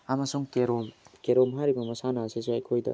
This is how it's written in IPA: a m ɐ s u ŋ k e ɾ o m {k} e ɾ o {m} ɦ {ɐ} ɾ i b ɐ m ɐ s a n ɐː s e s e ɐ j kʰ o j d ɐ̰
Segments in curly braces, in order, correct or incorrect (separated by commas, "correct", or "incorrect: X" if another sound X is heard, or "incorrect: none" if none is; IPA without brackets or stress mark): correct, correct, incorrect: a